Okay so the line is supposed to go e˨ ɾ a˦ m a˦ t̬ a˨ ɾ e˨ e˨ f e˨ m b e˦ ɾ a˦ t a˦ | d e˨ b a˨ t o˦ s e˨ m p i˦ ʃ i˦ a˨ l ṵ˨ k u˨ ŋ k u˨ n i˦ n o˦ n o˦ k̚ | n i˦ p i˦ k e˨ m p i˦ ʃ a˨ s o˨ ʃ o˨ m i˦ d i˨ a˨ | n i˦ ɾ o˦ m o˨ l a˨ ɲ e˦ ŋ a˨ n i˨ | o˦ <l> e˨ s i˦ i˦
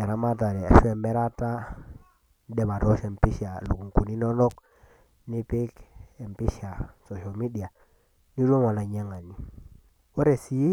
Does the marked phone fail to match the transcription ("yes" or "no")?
yes